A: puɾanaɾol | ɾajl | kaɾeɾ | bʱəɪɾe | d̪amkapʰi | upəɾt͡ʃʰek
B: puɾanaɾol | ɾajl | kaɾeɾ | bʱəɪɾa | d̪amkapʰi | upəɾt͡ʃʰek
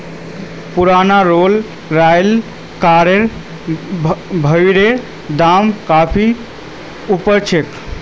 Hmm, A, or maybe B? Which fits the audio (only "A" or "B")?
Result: A